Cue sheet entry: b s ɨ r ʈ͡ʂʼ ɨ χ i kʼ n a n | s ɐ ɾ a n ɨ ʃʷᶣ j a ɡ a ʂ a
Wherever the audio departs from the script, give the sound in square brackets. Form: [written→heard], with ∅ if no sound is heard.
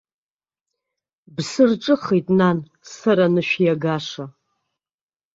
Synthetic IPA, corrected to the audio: b s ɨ r ʈ͡ʂʼ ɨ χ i [kʼ→tʼ] n a n | s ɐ ɾ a n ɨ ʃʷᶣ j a ɡ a ʂ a